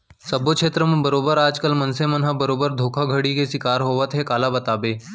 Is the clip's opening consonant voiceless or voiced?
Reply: voiceless